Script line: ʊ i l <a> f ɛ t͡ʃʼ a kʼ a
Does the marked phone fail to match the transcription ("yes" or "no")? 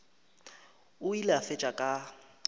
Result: no